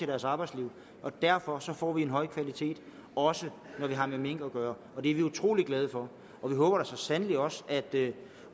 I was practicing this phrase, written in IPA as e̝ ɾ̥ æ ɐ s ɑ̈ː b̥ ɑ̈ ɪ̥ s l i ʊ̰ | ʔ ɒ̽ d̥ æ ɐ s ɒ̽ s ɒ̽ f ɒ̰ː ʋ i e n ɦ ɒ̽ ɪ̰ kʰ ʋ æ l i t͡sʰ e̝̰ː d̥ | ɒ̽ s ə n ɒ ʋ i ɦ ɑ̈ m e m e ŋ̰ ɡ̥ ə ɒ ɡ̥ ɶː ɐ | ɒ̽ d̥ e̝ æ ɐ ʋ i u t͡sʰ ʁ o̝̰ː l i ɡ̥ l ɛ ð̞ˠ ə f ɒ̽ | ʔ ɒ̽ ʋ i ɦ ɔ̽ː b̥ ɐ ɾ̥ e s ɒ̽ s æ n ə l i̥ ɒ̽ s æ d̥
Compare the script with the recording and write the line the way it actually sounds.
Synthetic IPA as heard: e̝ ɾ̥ æ ɐ s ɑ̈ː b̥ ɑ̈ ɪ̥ s l i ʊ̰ | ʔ ɒ̽ d̥ æ ɐ f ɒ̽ s ɒ̽ f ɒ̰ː ʋ i e n ɦ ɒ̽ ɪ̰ kʰ ʋ æ l i t͡sʰ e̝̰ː d̥ | ɒ̽ s ə n ɒ ʋ i ɦ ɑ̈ m e m e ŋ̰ ɡ̥ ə ɒ ɡ̥ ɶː ɐ | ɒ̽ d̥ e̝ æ ɐ ʋ i u t͡sʰ ʁ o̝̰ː l i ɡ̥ l ɛ ð̞ˠ ə f ɒ̽ | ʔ ɒ̽ ʋ i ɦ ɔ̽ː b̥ ɐ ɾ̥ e s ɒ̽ s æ n ə l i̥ ɒ̽ s æ d̥

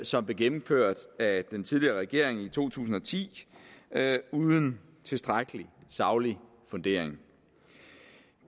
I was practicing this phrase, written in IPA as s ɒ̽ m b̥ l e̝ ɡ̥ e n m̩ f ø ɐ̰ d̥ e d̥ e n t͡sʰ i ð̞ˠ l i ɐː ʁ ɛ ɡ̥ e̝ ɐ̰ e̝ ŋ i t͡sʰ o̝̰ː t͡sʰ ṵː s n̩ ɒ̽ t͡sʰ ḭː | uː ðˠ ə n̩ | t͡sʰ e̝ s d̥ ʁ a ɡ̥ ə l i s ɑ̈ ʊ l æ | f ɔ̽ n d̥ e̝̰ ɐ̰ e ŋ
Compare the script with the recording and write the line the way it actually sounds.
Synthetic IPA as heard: s ɒ̽ m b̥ l e̝ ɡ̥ e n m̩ f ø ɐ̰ d̥ æ d̥ e n t͡sʰ i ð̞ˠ l i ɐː ʁ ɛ ɡ̥ e̝ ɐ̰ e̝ ŋ i t͡sʰ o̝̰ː t͡sʰ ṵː s n̩ ɒ̽ t͡sʰ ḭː | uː ðˠ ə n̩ | t͡sʰ e̝ s d̥ ʁ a ɡ̥ ə l i s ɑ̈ ʊ l i | f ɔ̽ n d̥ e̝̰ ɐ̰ e ŋ

